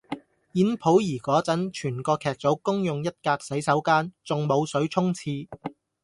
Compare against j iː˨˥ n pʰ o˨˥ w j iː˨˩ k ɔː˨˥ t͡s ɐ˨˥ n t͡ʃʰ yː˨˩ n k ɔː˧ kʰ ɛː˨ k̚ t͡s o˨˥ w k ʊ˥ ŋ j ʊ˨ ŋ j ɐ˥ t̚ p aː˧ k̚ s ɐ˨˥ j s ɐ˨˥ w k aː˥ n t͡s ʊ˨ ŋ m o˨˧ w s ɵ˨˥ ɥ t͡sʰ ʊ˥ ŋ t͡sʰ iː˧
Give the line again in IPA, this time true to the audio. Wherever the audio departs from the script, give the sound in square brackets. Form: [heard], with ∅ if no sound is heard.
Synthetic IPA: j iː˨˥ n pʰ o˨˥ w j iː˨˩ k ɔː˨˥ t͡s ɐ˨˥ n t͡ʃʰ yː˨˩ n k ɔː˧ kʰ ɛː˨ k̚ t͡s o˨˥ w k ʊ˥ ŋ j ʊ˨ ŋ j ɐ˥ t̚ [k] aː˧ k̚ s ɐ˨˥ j s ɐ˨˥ w k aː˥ n t͡s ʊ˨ ŋ m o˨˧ w s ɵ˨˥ ɥ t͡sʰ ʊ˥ ŋ t͡sʰ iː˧